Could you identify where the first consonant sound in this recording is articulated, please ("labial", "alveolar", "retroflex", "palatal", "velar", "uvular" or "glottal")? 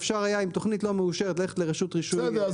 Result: labial